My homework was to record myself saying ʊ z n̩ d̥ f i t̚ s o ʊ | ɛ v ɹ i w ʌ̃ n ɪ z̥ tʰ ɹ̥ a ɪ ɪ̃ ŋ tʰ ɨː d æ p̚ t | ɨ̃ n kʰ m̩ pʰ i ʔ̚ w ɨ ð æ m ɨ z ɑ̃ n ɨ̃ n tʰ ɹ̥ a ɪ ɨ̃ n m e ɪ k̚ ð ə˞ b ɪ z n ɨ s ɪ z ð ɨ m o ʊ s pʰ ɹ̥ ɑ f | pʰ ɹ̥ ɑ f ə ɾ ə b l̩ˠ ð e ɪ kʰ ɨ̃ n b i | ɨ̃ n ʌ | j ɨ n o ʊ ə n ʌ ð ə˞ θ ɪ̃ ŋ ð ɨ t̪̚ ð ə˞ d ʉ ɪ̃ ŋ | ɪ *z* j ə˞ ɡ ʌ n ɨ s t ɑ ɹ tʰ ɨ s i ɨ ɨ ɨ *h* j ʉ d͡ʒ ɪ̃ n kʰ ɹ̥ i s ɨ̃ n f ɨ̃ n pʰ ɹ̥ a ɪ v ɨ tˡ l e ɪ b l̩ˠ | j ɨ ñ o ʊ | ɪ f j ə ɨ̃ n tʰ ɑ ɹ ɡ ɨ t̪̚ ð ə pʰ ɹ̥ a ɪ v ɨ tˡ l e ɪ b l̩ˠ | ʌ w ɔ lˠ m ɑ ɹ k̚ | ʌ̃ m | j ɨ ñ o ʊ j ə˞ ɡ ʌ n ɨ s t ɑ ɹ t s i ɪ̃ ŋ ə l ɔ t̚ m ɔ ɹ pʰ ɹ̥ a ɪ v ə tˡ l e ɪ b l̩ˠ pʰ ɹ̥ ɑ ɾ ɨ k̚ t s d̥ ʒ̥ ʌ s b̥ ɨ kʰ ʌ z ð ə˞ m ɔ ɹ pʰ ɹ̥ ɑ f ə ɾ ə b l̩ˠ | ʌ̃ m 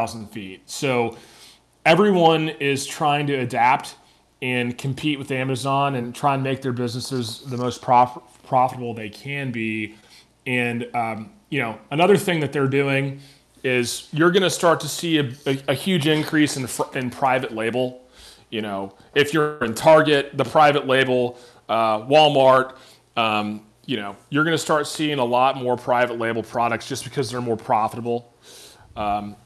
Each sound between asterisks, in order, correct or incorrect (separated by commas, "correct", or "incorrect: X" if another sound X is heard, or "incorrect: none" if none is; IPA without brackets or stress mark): correct, correct